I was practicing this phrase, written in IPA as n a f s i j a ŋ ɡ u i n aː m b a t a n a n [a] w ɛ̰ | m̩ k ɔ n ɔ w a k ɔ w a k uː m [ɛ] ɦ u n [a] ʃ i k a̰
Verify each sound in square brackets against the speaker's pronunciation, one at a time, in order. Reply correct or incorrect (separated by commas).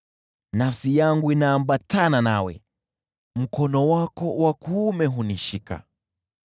correct, correct, incorrect